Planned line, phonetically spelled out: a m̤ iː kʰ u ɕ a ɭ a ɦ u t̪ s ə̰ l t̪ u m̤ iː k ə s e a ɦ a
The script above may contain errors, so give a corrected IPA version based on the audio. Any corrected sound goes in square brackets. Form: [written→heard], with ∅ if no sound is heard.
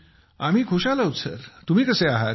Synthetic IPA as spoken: a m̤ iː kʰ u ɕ a [ɭ→l] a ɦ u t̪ s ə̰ [l→ɾ] t̪ u m̤ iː k ə s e a ɦ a